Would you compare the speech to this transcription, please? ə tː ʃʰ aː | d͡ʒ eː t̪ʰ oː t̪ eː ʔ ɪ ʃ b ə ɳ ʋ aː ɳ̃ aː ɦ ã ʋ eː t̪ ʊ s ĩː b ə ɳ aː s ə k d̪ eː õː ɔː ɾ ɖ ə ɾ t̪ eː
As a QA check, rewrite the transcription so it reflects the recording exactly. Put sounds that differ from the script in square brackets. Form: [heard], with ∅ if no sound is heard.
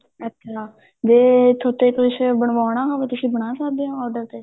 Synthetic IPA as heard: ə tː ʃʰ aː | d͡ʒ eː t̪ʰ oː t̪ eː [k] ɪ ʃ b ə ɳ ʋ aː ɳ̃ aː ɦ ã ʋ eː t̪ ʊ s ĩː b ə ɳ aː s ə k d̪ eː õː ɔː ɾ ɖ ə ɾ t̪ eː